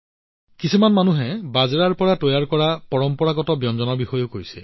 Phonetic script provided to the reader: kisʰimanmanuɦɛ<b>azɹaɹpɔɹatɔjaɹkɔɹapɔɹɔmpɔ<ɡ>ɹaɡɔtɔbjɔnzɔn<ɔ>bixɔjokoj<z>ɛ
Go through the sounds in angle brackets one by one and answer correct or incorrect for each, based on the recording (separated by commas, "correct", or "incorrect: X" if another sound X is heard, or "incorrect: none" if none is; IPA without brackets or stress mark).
correct, incorrect: none, correct, incorrect: s